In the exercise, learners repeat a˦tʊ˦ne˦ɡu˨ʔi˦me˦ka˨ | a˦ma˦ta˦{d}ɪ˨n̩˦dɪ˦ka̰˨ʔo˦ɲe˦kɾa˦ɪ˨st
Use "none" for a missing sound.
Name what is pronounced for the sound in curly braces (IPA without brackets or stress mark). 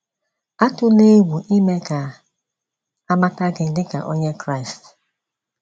ɡ